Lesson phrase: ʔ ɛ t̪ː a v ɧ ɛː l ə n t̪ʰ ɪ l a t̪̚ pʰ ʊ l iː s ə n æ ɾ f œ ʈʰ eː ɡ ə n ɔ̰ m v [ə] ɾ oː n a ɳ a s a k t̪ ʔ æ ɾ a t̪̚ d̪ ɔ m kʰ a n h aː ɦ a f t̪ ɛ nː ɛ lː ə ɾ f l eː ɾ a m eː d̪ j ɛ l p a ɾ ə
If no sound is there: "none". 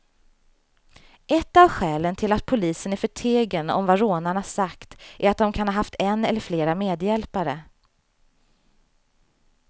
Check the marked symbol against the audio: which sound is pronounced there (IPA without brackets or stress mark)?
a